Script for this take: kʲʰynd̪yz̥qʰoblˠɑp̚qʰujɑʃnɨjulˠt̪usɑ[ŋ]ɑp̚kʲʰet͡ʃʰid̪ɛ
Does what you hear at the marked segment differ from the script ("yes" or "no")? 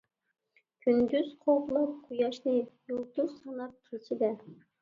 yes